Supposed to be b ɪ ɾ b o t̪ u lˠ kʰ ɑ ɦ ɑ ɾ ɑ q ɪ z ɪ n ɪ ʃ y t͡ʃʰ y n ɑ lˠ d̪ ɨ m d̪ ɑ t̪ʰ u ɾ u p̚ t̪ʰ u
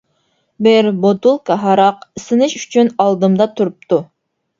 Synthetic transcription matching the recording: b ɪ ɾ b o t̪ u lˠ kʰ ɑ ɦ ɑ ɾ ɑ q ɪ s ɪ n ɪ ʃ y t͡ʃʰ y n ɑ lˠ d̪ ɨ m d̪ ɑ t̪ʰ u ɾ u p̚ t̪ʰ u